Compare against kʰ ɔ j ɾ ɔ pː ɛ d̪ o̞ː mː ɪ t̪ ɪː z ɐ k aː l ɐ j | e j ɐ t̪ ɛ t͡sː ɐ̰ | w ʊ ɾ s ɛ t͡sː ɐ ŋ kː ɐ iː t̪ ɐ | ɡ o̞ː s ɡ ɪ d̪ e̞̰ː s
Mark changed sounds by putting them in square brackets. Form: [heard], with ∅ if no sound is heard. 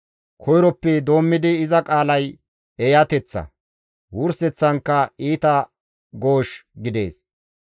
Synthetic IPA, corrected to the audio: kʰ ɔ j ɾ ɔ pː ɛ d̪ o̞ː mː ɪ [d̪] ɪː z ɐ [kʼ] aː l ɐ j | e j ɐ t̪ ɛ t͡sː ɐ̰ | w ʊ ɾ s ɛ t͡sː ɐ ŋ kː ɐ iː t̪ ɐ | ɡ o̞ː [ʃ] ɡ ɪ d̪ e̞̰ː s